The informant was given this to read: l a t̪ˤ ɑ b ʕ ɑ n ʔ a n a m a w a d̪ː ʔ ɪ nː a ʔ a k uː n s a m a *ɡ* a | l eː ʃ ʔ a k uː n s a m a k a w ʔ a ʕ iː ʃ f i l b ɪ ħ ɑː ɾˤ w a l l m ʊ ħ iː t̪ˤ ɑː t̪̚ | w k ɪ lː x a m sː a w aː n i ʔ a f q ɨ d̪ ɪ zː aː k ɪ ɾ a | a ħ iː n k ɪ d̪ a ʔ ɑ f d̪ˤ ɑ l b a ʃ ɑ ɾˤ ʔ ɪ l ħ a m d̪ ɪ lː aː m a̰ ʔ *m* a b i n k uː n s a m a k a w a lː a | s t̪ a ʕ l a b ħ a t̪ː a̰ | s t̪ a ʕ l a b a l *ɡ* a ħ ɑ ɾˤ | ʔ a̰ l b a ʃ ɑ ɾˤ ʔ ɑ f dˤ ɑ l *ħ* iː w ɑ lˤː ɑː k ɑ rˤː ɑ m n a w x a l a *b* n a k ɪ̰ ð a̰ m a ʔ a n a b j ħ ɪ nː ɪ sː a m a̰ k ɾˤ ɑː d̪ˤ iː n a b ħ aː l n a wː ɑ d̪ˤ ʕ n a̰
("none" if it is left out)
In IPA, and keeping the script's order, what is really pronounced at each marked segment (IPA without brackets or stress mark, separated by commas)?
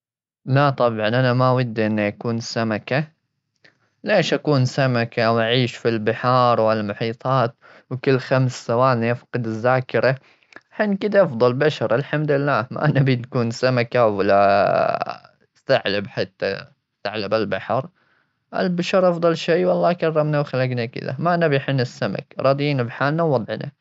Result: k, n, b, ʃ, ɡ